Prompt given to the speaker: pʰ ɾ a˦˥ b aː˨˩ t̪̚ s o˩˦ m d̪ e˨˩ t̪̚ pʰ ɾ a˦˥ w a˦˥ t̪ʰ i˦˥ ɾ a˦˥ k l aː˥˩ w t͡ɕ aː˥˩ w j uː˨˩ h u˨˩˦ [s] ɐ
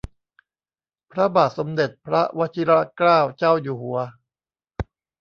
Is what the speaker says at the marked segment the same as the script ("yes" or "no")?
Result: no